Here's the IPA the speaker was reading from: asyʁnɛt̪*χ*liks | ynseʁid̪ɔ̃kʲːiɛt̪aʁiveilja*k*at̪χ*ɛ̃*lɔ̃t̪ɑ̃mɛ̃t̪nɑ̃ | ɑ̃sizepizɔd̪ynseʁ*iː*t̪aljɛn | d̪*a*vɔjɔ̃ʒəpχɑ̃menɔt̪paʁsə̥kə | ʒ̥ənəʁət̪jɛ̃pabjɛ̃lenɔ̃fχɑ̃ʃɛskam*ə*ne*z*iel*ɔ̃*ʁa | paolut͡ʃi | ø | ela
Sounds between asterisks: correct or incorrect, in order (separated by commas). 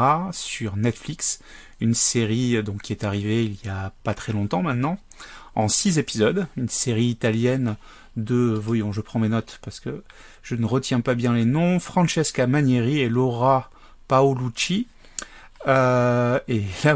incorrect, incorrect, incorrect, correct, incorrect, incorrect, incorrect, incorrect